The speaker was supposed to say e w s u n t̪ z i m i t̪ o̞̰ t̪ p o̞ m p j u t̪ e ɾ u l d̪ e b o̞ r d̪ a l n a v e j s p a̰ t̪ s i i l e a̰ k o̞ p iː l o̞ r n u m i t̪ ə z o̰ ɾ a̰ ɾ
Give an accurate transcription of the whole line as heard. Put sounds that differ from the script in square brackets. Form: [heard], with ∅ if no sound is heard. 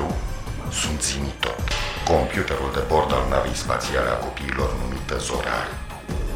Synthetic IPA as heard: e w s u n t̪ z i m i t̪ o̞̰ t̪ [k] o̞ m p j u t̪ e ɾ u l d̪ e b o̞ r d̪ a l n a v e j s p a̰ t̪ s i [a] l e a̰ k o̞ p iː l o̞ r n u m i t̪ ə z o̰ ɾ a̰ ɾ